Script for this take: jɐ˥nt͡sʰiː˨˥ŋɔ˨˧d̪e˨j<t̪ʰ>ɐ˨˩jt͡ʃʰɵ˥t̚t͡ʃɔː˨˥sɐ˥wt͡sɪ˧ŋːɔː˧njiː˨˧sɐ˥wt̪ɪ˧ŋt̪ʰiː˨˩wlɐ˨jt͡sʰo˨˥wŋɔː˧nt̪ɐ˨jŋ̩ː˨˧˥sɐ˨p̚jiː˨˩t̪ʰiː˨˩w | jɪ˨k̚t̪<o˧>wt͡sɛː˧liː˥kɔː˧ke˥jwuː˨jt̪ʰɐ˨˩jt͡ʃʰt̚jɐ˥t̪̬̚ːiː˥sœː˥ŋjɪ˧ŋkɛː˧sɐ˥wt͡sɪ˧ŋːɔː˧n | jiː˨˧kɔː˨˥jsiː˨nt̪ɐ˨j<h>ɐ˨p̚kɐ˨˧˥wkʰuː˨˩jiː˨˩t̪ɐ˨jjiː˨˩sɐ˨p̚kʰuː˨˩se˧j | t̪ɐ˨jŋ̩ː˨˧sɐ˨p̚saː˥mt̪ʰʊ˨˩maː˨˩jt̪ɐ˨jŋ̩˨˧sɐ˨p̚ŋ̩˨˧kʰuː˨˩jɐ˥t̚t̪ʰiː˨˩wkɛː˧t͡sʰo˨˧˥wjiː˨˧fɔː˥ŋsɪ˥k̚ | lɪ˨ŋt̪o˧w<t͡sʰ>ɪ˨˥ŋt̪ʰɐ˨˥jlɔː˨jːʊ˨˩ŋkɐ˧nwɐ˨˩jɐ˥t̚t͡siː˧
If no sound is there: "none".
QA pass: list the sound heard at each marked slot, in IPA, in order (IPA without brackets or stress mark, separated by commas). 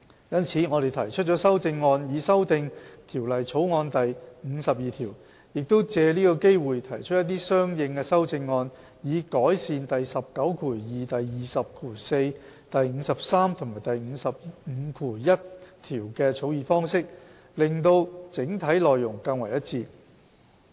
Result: t̪ʰ, o˥, s, t͡s